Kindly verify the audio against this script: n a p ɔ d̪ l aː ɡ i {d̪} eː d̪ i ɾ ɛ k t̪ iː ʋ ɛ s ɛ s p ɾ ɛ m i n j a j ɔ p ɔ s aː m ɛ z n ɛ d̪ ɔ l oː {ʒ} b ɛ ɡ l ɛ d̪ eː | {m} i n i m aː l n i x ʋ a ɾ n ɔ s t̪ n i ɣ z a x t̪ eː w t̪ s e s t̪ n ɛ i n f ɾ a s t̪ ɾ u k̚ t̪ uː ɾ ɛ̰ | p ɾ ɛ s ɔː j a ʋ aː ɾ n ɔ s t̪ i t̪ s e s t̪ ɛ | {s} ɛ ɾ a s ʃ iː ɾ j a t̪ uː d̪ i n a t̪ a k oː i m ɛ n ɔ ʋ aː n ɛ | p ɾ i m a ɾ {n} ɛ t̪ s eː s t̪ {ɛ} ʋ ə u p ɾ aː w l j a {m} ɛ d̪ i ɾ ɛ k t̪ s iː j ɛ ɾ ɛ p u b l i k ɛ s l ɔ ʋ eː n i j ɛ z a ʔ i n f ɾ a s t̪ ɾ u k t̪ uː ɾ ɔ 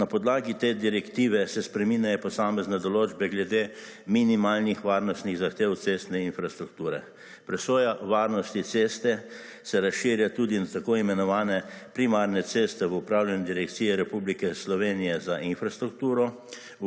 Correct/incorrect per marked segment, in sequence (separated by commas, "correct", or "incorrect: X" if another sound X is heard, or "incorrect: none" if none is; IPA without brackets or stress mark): incorrect: t̪, incorrect: d͡ʒ, correct, correct, correct, correct, incorrect: n